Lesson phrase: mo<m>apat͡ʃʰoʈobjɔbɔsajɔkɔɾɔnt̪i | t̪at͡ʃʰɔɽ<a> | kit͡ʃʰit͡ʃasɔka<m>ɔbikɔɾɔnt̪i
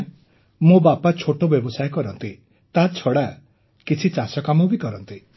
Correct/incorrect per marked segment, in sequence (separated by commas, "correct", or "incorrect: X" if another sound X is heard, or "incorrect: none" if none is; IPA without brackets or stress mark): incorrect: b, correct, correct